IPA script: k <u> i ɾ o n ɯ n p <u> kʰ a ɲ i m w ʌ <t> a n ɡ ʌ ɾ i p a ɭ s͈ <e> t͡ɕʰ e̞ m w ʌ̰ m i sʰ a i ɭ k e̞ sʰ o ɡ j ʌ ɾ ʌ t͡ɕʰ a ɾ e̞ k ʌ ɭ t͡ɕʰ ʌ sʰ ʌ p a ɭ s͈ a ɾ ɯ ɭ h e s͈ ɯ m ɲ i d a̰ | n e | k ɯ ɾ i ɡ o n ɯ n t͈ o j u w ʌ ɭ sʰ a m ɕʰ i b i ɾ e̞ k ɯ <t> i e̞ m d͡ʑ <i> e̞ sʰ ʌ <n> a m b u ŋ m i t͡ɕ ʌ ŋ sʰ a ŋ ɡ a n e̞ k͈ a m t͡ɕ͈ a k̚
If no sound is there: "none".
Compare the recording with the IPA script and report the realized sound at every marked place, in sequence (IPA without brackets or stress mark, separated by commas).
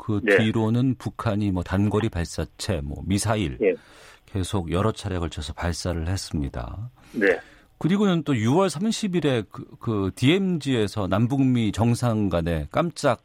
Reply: ɯ, u, t, a, t, i, n